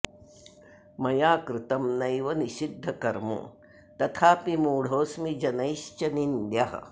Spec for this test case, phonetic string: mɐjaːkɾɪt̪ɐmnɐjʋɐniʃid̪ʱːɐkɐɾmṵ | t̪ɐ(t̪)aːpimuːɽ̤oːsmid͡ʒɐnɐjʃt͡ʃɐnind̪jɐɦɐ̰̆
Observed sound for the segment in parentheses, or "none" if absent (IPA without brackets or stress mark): t̪ʰ